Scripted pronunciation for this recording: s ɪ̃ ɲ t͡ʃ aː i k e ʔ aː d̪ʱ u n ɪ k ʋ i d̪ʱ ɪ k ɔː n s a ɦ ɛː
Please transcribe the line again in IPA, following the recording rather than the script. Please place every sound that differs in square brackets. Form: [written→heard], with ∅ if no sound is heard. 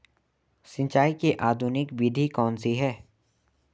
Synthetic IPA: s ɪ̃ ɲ t͡ʃ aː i k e ʔ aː d̪ʱ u n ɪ k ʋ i d̪ʱ [ɪ→i] k ɔː n s [a→i] ɦ ɛː